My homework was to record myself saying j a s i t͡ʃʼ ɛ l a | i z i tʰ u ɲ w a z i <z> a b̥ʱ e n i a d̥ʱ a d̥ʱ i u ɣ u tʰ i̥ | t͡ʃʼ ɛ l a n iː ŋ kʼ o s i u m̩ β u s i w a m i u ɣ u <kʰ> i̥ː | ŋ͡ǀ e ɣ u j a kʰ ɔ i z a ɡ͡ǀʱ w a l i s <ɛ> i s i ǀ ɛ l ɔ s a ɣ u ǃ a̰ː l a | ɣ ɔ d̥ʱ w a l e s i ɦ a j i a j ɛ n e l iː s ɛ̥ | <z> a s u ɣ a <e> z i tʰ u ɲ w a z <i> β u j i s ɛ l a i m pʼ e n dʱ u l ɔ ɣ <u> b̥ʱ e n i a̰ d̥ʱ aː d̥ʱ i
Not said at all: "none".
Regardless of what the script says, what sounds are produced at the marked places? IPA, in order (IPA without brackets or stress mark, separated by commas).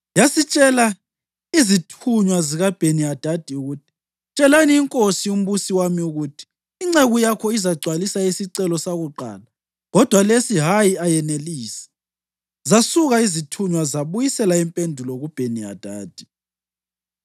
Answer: ɣ, tʰ, a, z, i, a, u